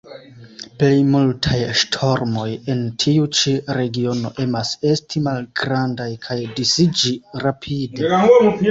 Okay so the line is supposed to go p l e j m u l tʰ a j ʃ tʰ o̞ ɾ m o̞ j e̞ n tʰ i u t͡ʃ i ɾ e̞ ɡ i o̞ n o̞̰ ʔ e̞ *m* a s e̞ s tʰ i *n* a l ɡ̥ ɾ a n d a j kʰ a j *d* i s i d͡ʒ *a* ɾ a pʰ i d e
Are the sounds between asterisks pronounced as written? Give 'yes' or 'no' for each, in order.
yes, no, yes, no

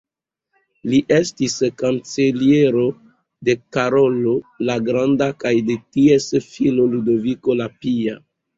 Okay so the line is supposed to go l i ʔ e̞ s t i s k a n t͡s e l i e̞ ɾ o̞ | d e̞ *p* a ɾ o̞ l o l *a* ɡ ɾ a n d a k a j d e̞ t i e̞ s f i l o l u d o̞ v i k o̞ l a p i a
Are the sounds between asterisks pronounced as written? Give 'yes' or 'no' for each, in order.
no, yes

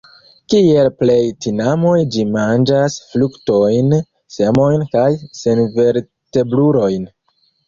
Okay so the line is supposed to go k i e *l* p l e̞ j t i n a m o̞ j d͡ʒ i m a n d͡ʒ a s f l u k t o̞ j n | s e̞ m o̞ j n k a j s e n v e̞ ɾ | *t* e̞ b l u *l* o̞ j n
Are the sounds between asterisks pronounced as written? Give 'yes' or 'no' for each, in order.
yes, yes, no

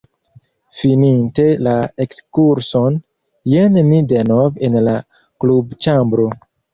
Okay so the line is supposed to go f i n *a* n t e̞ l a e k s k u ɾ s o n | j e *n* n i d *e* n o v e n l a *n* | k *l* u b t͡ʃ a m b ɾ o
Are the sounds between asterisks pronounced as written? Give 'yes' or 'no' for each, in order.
no, yes, yes, no, yes

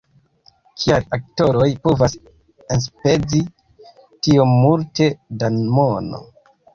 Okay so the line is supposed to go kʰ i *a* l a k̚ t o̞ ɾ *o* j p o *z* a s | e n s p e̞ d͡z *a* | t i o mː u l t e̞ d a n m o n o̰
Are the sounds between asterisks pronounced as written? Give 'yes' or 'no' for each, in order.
yes, yes, no, no

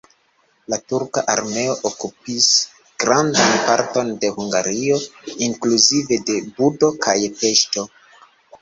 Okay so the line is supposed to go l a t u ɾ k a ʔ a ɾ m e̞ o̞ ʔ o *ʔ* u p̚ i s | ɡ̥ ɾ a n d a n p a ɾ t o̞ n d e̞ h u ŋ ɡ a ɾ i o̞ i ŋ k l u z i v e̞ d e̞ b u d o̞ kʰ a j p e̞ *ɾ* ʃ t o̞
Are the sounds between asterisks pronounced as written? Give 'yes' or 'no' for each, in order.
no, no

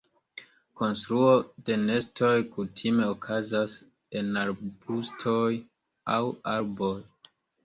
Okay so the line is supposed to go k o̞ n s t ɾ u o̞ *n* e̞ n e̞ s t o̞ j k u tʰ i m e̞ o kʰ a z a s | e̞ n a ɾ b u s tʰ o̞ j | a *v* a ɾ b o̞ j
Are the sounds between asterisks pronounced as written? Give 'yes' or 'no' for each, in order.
no, no

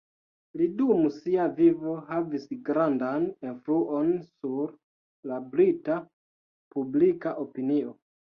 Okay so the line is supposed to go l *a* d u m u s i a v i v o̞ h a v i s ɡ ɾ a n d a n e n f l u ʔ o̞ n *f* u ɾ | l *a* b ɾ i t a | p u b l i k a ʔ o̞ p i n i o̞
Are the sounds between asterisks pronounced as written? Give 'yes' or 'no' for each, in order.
no, no, yes

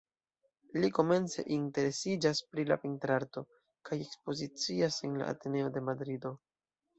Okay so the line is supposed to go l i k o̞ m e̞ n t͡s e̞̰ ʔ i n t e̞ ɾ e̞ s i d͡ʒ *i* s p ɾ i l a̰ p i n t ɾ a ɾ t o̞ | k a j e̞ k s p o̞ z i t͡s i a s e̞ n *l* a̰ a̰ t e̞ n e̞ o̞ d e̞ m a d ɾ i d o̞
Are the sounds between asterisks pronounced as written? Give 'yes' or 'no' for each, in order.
no, yes

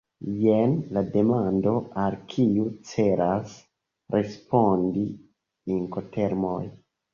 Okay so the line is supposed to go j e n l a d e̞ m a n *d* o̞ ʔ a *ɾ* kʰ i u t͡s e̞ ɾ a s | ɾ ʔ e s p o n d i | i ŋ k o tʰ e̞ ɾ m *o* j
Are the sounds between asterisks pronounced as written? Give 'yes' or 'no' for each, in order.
yes, no, yes

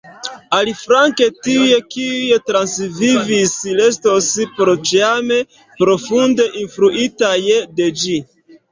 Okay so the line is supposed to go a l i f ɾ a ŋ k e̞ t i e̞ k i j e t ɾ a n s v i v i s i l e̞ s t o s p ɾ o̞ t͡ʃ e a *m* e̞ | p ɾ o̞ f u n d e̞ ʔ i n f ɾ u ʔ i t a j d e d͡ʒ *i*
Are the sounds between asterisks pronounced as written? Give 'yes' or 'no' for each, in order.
yes, yes

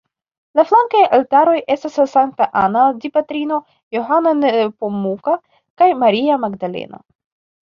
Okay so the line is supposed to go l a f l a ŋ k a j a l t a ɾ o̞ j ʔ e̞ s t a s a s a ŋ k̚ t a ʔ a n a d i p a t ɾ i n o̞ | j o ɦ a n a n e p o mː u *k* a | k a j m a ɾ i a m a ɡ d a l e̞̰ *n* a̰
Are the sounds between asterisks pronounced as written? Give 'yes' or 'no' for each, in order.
yes, yes

